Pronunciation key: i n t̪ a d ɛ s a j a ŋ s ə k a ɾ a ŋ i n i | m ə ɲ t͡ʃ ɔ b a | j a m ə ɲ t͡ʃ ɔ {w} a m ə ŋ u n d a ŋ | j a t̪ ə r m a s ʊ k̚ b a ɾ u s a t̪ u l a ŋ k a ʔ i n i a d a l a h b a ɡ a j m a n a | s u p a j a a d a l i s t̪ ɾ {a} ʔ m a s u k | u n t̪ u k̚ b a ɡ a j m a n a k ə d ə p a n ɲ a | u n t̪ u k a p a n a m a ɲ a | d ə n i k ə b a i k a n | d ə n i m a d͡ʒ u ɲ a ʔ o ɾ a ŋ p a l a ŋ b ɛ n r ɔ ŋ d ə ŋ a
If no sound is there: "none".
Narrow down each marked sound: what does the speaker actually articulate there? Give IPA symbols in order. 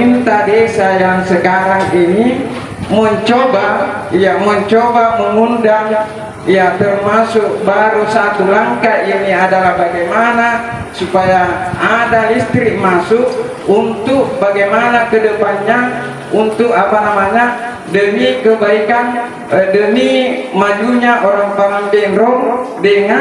b, i

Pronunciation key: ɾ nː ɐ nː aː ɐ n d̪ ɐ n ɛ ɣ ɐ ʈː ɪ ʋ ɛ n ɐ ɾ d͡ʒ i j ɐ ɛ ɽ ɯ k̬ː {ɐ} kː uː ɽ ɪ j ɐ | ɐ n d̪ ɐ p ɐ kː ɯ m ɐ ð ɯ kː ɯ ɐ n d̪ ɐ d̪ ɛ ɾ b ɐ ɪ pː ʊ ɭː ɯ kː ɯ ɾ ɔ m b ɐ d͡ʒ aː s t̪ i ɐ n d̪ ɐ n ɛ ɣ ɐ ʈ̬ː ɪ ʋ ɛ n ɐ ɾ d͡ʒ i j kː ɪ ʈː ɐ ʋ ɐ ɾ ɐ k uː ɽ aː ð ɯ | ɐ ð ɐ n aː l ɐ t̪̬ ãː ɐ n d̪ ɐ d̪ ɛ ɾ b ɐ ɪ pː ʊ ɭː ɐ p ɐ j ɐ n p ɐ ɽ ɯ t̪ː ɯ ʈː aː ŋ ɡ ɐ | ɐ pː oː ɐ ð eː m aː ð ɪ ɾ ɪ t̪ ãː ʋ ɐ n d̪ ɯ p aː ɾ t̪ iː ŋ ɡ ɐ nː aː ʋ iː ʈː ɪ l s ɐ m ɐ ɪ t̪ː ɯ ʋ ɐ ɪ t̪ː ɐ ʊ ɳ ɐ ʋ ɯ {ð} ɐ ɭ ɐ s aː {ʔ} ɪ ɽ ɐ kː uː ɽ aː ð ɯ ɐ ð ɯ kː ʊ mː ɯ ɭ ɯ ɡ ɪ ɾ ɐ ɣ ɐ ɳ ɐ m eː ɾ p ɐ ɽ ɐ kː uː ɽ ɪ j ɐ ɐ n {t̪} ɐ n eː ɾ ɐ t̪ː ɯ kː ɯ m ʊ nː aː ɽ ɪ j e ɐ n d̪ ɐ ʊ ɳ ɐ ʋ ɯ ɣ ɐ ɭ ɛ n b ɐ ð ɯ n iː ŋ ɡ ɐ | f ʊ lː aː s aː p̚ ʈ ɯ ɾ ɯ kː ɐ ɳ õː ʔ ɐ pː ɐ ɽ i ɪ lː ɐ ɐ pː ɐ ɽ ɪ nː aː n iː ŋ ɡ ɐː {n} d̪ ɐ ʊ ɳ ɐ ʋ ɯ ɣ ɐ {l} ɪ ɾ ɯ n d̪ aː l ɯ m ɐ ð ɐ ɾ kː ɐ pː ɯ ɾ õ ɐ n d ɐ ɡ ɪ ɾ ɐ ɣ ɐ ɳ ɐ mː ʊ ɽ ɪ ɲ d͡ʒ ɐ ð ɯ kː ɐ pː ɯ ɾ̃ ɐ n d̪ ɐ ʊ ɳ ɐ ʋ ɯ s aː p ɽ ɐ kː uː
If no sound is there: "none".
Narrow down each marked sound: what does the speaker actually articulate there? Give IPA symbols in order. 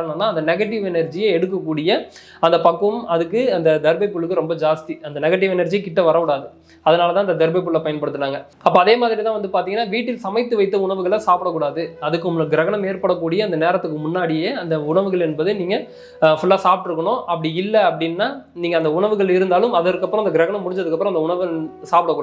ɐ, ɣ, p, d̪, n, ɭ

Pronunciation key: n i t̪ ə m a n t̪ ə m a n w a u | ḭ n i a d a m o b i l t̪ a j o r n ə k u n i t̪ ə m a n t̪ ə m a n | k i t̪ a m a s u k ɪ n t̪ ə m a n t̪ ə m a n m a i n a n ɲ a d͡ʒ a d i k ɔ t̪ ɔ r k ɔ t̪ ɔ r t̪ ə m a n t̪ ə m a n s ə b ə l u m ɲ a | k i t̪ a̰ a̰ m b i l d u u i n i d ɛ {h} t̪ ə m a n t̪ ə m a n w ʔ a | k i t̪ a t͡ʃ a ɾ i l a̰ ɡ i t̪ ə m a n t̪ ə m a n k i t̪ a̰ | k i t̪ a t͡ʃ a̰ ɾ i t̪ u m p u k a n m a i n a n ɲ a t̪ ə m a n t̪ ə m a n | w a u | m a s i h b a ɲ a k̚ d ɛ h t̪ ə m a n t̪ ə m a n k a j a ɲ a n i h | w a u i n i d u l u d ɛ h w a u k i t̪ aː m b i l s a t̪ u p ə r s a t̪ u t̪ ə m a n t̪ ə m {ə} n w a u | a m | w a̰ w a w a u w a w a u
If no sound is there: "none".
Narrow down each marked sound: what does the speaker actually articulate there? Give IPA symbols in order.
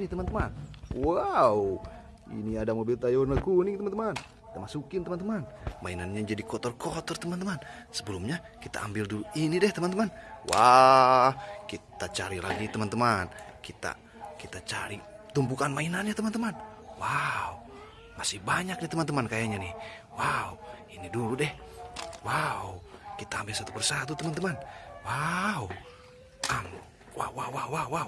h, a

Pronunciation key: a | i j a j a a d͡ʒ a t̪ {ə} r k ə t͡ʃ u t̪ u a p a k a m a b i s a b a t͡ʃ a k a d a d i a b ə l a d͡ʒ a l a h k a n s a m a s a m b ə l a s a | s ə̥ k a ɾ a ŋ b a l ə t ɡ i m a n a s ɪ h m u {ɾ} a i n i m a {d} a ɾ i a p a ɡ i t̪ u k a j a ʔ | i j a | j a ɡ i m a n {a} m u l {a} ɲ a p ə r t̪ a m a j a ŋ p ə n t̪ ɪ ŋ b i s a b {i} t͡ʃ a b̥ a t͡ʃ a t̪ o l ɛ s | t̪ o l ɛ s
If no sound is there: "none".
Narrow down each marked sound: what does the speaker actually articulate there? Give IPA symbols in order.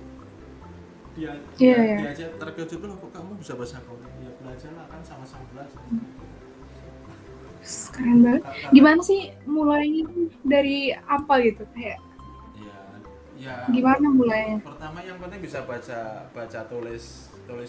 ə, l, d, a, a, a

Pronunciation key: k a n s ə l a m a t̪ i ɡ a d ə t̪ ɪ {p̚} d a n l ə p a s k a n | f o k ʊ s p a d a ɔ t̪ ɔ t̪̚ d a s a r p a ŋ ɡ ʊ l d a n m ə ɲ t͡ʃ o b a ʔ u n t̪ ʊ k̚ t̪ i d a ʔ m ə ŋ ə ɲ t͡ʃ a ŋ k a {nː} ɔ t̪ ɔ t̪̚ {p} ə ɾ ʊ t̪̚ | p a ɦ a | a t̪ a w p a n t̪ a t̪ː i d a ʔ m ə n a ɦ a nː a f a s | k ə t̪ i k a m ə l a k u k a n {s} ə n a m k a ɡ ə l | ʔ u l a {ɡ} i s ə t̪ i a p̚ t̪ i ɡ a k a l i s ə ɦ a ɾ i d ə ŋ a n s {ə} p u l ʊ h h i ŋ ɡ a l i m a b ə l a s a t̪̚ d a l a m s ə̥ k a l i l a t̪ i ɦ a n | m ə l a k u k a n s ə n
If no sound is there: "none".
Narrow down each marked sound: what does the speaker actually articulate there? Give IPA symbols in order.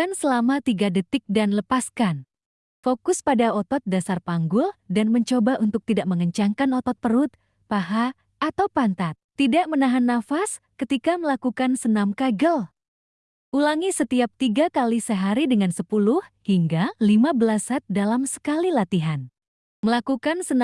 k̚, n, p, s, ŋ, ə

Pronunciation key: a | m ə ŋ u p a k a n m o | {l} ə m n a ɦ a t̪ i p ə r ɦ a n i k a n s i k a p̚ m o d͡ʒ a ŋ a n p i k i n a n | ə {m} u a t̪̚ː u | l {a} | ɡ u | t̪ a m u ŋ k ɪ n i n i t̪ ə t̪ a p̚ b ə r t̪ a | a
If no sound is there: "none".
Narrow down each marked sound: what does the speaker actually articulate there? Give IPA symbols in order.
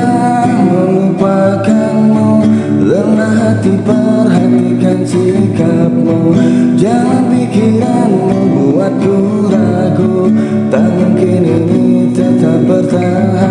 l, b, a

